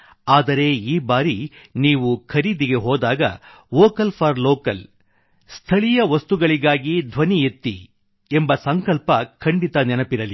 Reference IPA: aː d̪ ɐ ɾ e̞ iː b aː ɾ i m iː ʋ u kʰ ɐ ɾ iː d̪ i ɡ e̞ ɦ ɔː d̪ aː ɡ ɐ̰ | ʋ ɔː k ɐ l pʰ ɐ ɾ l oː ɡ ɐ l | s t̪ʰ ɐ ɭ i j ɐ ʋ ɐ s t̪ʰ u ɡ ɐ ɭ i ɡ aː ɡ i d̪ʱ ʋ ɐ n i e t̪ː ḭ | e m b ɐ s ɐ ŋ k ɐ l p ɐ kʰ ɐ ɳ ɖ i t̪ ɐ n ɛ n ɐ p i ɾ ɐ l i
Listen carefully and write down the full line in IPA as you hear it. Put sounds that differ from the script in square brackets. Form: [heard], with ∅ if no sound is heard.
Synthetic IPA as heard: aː d̪ ɐ ɾ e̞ iː b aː ɾ i [n] iː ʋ u kʰ ɐ ɾ iː d̪ i ɡ e̞ ɦ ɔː d̪ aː ɡ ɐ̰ | ʋ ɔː k ɐ l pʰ ɐ ɾ l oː [k] ɐ l | s t̪ʰ ɐ ɭ i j ɐ ʋ ɐ s [t̪] u ɡ ɐ ɭ i ɡ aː ɡ i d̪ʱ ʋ ɐ n i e t̪ː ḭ | e m b ɐ s ɐ ŋ k ɐ l p ɐ kʰ ɐ ɳ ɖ i t̪ ɐ n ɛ n ɐ p i ɾ ɐ l i